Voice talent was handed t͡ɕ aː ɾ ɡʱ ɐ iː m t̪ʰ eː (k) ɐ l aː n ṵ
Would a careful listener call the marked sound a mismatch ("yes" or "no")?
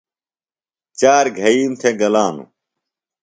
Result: yes